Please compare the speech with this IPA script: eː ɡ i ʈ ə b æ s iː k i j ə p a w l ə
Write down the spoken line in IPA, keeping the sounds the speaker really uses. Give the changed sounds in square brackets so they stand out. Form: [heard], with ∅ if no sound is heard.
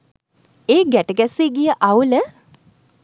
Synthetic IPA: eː ɡ [æ] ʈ ə [ɡ] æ s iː [ɡ] i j ə [ʔ] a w l ə